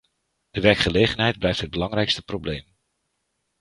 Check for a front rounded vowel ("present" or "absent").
absent